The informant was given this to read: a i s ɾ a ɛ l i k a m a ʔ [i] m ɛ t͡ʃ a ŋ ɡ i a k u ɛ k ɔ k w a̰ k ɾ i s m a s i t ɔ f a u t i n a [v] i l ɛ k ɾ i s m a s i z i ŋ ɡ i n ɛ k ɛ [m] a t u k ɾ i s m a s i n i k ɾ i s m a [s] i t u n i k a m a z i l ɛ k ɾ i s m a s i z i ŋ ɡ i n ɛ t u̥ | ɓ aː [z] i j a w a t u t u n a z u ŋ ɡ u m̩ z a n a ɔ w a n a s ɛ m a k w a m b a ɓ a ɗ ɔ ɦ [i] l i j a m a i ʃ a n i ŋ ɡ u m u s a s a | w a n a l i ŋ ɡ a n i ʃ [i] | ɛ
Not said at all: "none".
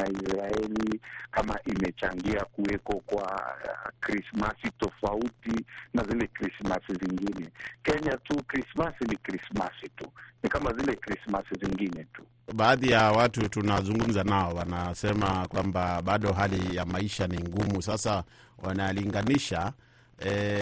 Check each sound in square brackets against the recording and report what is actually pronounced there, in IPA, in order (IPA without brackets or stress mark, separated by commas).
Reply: i, z, ɲ, s, ð, a, a